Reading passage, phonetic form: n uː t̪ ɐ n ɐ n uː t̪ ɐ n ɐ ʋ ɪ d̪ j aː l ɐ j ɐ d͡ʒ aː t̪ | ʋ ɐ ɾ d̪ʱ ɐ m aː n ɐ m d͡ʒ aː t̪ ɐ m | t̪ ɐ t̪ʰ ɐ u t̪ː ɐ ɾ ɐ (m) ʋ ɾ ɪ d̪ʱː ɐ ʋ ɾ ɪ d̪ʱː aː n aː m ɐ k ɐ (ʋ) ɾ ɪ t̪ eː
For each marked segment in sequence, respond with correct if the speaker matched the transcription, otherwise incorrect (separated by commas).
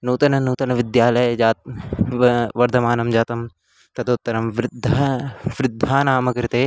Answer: correct, incorrect